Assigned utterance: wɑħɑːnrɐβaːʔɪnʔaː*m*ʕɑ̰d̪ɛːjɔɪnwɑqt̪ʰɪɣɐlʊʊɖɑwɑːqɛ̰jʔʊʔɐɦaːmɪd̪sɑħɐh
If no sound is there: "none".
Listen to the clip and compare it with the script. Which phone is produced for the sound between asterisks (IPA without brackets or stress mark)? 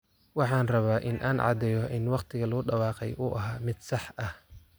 n